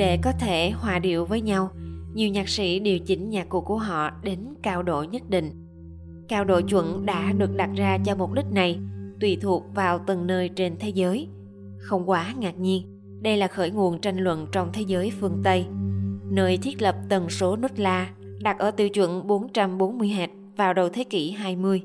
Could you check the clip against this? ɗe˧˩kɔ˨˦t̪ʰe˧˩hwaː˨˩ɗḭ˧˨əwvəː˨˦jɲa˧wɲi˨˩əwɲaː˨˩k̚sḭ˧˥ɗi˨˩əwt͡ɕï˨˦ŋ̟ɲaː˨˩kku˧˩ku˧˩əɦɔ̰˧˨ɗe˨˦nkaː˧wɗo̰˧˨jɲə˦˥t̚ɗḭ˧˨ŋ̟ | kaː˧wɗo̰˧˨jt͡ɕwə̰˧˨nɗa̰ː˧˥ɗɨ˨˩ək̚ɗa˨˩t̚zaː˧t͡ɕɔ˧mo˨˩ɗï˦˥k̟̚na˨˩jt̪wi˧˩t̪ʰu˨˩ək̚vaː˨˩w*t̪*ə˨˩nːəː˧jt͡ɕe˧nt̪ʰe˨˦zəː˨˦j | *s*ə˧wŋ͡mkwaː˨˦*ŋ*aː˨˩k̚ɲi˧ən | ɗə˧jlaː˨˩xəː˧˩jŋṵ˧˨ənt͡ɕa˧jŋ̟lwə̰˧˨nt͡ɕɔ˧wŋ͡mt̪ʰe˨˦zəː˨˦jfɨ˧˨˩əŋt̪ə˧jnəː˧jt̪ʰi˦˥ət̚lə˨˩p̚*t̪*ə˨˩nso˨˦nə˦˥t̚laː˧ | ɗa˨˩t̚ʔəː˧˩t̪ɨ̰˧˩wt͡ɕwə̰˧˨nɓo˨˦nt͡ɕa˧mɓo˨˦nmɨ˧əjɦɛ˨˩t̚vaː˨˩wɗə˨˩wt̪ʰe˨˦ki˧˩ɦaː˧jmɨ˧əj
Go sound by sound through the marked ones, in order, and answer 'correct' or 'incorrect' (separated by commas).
correct, incorrect, correct, correct